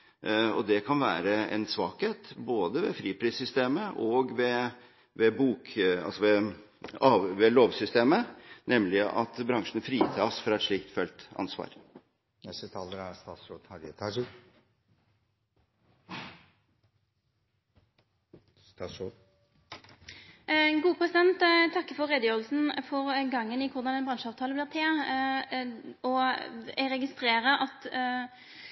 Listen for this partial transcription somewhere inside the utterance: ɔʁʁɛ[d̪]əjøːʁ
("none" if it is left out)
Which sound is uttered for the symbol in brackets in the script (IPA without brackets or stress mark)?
d̪